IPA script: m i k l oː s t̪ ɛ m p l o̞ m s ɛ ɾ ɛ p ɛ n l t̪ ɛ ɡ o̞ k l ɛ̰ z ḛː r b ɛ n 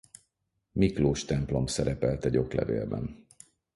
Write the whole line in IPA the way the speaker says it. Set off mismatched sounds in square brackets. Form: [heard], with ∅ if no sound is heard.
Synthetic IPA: m i k l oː [ʃ] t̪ ɛ m p l o̞ m s ɛ ɾ ɛ p ɛ [∅] l t̪ ɛ [ɟ] o̞ k l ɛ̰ [v] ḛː [l] b ɛ n